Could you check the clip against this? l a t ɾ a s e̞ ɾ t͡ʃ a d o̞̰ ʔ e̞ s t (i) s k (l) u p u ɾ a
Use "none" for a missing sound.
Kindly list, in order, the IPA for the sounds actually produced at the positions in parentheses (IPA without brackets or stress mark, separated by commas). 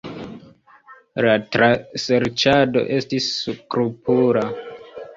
i, ɾ